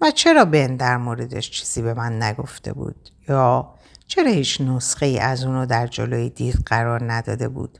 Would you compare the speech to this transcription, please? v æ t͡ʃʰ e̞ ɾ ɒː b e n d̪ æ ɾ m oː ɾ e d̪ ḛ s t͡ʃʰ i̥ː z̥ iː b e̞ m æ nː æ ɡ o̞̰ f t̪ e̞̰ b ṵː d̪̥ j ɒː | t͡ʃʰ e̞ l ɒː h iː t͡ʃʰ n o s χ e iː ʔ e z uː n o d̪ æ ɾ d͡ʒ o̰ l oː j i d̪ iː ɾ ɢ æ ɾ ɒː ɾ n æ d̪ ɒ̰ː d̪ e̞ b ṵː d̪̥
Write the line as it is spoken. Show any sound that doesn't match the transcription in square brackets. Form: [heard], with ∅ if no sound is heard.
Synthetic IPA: v æ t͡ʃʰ e̞ ɾ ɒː b e n d̪ æ ɾ m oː ɾ e d̪ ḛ [ʃ] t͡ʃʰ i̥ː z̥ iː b e̞ m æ nː æ ɡ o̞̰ f t̪ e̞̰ b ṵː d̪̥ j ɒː | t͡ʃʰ e̞ [ɾ] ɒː h iː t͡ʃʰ n o s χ e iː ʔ [æ] z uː n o d̪ æ ɾ d͡ʒ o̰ l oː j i d̪ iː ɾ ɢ æ ɾ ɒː ɾ n æ d̪ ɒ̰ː d̪ e̞ b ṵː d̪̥